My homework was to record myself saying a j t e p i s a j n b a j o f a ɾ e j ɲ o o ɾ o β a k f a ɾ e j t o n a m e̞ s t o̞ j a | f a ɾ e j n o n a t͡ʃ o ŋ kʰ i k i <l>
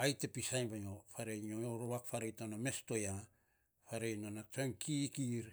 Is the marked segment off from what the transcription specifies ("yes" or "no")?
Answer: yes